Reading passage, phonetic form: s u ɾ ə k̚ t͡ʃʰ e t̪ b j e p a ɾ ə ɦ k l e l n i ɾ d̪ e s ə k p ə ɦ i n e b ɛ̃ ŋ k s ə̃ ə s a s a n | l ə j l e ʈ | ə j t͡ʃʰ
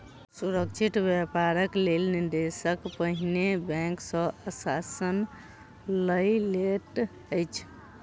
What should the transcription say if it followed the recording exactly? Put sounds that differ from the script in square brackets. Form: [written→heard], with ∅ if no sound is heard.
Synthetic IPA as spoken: s u ɾ ə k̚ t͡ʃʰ [e→i] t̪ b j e p a ɾ ə [ɦ→∅] k l e l n i ɾ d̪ e s ə k p ə ɦ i n e b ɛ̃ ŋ k s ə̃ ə s a s [a→ə] n | l ə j l e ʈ | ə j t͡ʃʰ